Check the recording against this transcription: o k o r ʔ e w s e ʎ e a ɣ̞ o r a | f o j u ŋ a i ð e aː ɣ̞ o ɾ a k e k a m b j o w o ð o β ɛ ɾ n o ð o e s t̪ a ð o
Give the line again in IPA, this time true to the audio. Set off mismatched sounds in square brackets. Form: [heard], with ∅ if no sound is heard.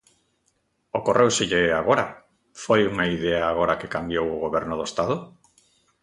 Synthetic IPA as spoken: o k o r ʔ e w s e ʎ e a ɣ̞ o [ɾ] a | f o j u ŋ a i ð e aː ɣ̞ o ɾ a k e k a m b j o w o [ɣ] o β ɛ ɾ n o ð o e s t̪ a ð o